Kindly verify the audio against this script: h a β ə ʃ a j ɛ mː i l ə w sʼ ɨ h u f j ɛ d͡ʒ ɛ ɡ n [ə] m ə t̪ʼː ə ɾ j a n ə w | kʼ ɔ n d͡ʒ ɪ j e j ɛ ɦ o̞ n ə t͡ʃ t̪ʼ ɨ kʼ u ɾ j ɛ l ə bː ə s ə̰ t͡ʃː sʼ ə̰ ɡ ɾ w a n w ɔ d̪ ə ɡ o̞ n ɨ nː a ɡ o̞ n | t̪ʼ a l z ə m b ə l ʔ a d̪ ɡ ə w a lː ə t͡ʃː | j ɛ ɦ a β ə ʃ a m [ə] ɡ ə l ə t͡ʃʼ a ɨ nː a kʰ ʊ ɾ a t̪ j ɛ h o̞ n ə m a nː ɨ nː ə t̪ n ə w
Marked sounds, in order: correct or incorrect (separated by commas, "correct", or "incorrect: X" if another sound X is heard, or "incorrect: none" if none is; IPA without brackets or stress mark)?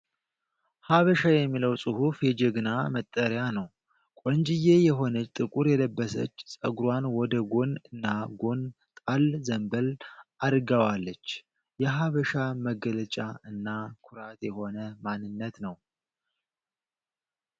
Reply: incorrect: a, correct